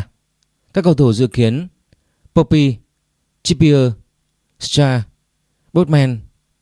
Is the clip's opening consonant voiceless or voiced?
voiceless